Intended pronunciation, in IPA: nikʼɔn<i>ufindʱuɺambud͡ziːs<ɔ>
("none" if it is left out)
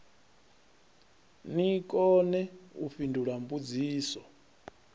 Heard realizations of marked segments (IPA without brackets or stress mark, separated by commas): ɛ, ɔ